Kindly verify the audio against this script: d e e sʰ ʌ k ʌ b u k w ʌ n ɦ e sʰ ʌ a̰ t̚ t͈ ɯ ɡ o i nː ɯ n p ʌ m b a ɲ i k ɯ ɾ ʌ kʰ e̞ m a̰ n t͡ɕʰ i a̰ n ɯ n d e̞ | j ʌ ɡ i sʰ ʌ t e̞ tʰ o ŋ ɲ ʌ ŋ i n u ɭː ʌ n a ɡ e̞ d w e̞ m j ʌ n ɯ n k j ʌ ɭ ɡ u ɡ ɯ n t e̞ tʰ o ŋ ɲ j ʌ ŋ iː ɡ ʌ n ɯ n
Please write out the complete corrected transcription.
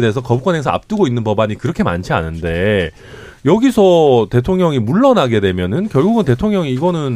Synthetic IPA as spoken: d e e sʰ ʌ k ʌ b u k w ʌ n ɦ e sʰ ʌ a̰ p̚ t͈ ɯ ɡ o i nː ɯ n p ʌ b a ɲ i k ɯ ɾ ʌ kʰ e̞ m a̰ n t͡ɕʰ i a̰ n ɯ n d e̞ | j ʌ ɡ i sʰ ʌ t e̞ tʰ o ŋ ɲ ʌ ŋ i m u ɭː ʌ n a ɡ e̞ d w e̞ m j ʌ n ɯ n k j ʌ ɭ ɡ u ɡ ɯ n t e̞ tʰ o ŋ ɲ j ʌ ŋ iː ɡ ʌ n ɯ n